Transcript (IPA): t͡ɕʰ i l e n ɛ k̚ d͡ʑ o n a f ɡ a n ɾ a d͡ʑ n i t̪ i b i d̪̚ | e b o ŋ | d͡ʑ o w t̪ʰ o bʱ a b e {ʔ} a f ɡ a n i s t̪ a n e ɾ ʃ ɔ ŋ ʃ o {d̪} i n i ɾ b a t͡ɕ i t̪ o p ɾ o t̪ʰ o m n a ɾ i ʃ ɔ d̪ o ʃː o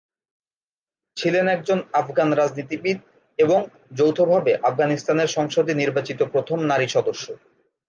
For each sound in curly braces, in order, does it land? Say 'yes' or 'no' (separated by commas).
yes, yes